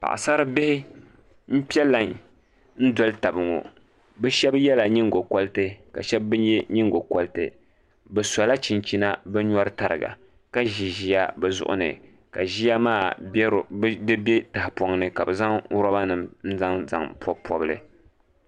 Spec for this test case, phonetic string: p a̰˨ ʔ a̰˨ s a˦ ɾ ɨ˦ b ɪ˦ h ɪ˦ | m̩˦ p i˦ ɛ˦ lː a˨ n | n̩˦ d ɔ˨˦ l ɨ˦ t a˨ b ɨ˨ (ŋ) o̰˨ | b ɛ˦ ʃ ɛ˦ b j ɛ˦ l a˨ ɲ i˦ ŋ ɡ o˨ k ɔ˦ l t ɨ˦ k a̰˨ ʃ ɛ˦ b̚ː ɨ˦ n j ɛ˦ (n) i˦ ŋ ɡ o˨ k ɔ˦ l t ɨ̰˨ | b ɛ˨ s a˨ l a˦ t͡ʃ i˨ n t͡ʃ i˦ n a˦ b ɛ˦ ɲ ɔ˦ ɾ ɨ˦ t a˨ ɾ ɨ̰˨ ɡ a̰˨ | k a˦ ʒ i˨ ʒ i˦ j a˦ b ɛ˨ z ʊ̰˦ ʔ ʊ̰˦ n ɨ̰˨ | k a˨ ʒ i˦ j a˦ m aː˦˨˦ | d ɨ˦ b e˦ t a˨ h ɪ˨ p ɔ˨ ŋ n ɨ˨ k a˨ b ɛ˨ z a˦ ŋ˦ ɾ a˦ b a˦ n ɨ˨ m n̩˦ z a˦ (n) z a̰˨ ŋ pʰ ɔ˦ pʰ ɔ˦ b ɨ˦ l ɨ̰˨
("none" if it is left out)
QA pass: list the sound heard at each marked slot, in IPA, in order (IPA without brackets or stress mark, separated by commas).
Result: ŋ, ɲ, ŋ